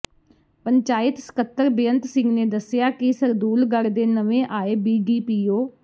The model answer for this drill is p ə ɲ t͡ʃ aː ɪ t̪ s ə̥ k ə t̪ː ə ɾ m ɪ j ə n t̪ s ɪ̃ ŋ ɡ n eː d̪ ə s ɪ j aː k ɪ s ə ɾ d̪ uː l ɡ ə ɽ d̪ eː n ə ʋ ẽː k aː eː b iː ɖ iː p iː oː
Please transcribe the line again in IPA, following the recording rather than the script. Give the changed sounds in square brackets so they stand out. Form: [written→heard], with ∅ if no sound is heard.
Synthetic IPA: p ə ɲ t͡ʃ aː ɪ t̪ s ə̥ k ə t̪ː ə ɾ [m→b] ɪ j ə n t̪ s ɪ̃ ŋ ɡ n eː d̪ ə s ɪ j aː k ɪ s ə ɾ d̪ uː l ɡ ə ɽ d̪ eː n ə ʋ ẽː [k→ʔ] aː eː b iː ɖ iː p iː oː